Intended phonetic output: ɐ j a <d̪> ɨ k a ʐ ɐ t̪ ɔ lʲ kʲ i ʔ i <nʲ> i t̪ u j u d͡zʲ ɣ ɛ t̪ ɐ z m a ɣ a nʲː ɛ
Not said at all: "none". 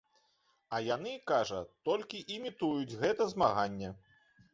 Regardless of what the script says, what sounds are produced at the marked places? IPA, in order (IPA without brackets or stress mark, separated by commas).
n̪, mʲ